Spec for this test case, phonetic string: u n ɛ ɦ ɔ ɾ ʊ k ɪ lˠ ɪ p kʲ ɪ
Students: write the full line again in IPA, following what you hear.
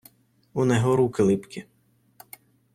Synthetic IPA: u n ɛ ɦ ɔ ɾ u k ɪ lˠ ɪ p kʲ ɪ